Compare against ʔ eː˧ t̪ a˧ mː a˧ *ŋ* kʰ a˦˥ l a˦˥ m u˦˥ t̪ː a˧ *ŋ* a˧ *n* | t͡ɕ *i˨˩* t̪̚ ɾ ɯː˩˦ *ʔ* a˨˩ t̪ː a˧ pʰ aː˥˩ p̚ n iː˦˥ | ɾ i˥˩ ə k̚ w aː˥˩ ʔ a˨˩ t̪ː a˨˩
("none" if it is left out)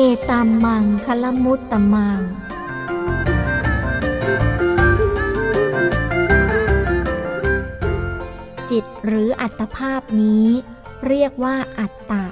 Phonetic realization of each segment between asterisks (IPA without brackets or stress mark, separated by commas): ŋ, m, ŋ, i˨˩, ʔ